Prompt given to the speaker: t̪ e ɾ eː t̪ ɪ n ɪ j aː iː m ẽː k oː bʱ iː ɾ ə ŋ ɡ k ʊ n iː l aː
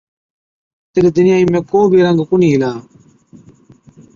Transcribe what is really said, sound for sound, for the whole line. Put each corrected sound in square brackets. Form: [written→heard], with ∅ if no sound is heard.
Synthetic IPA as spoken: t̪ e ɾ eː [t̪→d̪] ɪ n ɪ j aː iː m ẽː k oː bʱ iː ɾ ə ŋ ɡ k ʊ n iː l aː